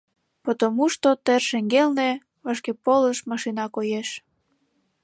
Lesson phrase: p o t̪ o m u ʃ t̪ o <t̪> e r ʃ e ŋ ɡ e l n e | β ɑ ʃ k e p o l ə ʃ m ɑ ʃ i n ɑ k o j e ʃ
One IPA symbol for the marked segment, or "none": t̪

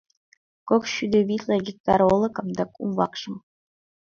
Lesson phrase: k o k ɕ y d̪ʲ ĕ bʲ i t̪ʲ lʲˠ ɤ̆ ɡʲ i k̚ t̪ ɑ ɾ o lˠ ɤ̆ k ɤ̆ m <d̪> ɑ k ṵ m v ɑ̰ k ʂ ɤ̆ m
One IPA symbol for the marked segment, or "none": d̪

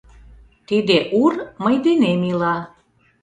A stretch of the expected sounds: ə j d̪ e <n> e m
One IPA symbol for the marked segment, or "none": n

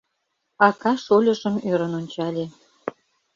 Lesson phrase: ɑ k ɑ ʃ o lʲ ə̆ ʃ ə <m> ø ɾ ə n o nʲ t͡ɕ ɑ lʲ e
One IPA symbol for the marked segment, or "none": m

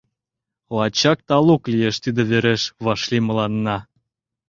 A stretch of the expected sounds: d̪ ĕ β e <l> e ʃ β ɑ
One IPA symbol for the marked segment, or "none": ɾ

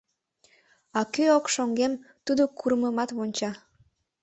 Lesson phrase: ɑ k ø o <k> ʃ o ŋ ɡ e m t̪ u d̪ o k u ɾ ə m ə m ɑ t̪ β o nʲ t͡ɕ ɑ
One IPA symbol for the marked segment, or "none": k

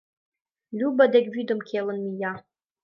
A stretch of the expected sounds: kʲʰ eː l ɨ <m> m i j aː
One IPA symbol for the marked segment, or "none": n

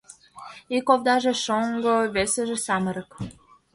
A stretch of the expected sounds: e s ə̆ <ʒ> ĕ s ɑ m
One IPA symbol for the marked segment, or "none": ʒ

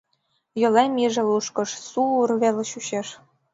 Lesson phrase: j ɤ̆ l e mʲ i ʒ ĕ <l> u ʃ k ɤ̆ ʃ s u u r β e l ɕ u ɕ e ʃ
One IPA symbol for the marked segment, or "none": l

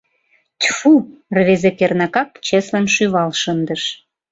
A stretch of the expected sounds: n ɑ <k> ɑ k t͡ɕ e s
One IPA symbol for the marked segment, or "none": k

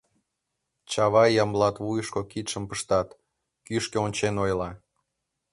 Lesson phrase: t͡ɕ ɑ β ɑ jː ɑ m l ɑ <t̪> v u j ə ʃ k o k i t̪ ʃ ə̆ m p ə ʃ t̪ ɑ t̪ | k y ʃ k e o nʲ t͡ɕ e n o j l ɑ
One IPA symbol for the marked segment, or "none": t̪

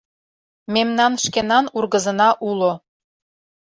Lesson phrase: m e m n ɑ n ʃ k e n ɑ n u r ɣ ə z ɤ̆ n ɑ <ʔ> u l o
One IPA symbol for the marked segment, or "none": ʔ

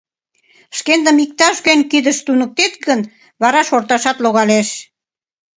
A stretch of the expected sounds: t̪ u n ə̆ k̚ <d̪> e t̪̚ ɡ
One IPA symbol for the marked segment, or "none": t̪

